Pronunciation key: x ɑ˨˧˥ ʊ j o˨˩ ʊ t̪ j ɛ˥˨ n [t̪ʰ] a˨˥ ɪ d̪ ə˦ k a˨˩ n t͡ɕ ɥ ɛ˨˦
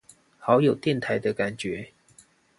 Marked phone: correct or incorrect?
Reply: correct